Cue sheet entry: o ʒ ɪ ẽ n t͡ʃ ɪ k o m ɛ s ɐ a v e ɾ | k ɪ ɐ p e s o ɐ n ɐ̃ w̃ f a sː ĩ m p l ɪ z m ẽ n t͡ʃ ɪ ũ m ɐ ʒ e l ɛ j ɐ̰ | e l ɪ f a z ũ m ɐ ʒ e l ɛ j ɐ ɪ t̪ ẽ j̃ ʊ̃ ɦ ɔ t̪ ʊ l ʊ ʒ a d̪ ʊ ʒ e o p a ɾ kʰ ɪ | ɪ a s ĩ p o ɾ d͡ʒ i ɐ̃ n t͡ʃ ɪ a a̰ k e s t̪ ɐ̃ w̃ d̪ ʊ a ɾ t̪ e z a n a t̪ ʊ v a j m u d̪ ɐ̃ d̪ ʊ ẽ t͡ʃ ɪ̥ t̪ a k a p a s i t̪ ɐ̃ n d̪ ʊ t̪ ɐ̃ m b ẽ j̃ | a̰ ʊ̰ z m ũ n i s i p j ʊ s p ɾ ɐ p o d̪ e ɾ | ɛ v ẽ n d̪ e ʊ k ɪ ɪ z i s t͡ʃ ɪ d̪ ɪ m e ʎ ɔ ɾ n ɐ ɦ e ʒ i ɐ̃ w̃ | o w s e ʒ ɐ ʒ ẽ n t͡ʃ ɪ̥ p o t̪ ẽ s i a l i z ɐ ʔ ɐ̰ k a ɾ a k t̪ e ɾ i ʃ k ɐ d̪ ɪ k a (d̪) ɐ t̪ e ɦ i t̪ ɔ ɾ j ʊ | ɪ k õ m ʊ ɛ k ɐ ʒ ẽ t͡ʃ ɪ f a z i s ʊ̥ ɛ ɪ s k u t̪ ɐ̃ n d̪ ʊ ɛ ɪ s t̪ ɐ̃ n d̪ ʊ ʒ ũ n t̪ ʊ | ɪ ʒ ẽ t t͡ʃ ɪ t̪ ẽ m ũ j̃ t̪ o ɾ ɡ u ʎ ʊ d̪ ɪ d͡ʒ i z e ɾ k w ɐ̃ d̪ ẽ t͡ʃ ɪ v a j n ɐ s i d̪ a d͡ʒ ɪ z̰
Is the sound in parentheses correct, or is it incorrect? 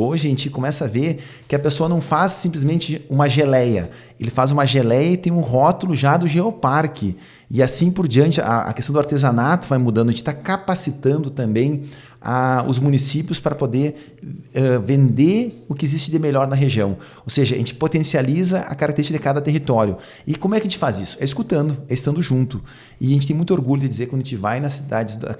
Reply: correct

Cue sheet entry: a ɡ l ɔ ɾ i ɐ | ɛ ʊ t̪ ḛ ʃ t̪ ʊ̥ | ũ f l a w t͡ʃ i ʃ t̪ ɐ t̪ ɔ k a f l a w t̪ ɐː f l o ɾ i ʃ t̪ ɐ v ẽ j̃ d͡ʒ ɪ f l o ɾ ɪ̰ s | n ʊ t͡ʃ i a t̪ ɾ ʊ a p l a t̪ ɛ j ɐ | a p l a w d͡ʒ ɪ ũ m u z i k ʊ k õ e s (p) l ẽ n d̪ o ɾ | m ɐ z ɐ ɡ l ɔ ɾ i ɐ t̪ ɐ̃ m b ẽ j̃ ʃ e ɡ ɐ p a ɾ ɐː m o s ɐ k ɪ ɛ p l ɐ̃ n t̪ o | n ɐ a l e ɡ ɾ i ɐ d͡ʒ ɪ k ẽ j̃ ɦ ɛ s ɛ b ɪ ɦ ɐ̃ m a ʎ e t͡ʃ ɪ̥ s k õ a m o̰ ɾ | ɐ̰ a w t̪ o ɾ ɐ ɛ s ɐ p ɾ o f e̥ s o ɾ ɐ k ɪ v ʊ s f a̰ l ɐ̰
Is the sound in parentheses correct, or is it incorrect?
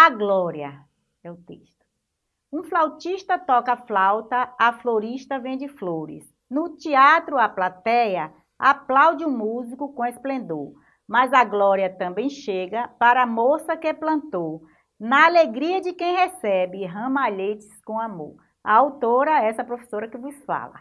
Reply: correct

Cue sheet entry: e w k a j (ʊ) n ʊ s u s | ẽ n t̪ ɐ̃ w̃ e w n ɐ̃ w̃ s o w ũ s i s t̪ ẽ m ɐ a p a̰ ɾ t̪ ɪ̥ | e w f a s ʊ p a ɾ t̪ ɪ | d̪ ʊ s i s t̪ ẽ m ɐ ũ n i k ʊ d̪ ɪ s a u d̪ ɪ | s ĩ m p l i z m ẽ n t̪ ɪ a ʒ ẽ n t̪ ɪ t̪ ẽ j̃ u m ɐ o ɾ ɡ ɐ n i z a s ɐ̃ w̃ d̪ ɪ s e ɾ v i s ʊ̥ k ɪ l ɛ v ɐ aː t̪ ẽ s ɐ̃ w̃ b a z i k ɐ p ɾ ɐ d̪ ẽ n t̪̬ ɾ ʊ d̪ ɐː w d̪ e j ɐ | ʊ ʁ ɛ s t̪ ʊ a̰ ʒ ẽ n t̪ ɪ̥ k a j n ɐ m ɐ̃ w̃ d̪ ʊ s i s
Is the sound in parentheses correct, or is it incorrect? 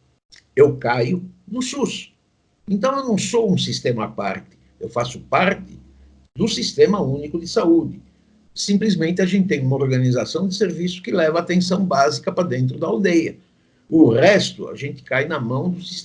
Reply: correct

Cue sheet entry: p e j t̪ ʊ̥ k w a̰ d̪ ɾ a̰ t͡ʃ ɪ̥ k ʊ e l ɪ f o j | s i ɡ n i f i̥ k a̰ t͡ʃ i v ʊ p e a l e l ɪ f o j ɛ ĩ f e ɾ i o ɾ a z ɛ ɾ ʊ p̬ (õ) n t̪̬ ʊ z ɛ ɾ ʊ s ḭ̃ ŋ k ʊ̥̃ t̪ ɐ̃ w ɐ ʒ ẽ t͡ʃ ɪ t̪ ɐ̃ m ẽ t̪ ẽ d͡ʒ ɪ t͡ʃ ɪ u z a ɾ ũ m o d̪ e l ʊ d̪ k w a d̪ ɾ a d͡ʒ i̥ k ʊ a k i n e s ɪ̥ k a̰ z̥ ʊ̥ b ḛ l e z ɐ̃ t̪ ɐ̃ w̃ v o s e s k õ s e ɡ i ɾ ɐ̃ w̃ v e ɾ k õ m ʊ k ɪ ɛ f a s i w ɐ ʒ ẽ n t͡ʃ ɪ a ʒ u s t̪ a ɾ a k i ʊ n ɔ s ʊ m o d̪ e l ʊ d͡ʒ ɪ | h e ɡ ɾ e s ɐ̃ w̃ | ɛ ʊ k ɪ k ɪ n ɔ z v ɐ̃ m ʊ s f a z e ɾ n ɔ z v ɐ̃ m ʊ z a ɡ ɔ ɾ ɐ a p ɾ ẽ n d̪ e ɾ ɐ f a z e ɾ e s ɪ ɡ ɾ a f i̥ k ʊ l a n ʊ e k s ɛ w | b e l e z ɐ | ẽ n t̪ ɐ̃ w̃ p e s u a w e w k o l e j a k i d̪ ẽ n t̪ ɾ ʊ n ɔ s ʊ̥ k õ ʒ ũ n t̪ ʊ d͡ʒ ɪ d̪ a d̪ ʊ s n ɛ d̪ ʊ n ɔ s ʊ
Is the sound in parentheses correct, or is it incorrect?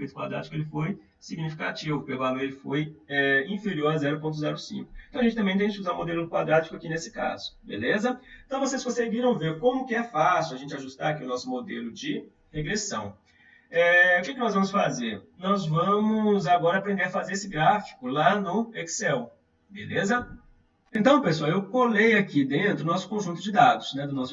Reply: correct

